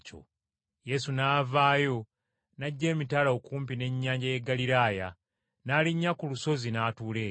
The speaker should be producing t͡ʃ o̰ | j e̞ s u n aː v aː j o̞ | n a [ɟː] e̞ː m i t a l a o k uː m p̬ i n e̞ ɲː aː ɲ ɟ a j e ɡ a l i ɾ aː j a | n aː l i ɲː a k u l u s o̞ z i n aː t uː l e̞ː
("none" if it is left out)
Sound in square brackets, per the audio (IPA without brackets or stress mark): ɟː